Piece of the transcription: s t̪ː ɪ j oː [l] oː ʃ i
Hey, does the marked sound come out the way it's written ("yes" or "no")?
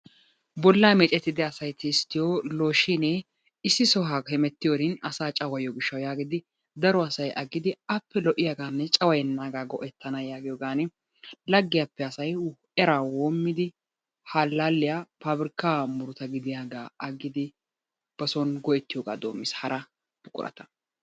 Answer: yes